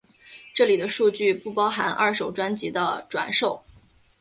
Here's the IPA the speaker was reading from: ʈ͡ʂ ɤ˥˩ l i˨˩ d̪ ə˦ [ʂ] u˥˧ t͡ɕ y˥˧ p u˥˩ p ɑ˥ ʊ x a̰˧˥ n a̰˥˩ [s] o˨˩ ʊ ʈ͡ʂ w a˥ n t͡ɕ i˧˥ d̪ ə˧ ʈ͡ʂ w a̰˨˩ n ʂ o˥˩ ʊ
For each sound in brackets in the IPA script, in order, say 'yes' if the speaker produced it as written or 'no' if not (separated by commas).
yes, no